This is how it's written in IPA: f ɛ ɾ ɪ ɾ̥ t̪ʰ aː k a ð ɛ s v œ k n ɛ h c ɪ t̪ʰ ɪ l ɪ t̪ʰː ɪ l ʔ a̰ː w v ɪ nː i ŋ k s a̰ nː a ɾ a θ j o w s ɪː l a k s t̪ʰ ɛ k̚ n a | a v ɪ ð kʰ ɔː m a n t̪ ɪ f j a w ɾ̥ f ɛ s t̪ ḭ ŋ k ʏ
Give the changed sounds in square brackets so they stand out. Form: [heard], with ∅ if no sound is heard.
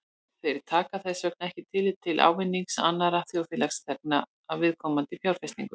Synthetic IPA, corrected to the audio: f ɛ ɾ ɪ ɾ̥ t̪ʰ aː k a [θ] ɛ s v œ k n ɛ h c ɪ t̪ʰ ɪ l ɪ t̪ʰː ɪ l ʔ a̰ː w v ɪ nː i ŋ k s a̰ nː a ɾ a θ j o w [f] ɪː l a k s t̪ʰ ɛ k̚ n a | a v ɪ ð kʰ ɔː m a n t̪ ɪ f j a w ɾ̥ f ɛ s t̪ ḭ ŋ k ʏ